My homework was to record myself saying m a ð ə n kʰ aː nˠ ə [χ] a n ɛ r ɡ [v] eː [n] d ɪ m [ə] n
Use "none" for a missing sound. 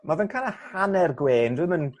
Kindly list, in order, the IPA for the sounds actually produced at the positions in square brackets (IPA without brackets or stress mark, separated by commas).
h, w, n, ə